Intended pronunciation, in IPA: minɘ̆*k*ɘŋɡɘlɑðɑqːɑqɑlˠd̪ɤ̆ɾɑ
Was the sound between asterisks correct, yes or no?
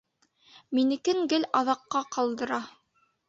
yes